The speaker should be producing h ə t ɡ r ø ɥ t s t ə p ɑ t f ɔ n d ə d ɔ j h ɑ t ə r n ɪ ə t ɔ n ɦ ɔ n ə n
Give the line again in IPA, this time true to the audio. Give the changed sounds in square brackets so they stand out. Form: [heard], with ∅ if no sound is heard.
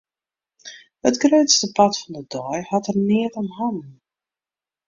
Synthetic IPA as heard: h ə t ɡ r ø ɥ t s t ə p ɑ t f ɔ n d ə d ɔ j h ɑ t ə r n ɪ ə t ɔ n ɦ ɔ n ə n